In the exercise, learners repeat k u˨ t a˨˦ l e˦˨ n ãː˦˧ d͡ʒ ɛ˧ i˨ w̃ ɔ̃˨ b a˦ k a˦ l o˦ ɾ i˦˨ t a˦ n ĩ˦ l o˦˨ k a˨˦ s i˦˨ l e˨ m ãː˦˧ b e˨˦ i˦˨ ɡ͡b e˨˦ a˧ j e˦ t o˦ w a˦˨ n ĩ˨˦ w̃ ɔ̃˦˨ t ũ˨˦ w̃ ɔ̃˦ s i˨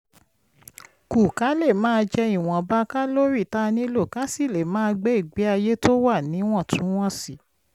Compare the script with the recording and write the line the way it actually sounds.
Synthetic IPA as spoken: k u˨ k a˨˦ l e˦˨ m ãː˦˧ d͡ʒ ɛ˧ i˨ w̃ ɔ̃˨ b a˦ k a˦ l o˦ ɾ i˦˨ t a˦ n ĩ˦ l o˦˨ k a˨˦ s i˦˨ l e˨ m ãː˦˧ ɡ͡b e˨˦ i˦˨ ɡ͡b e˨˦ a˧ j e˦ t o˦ w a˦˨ n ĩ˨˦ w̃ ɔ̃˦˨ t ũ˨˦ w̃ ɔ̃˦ s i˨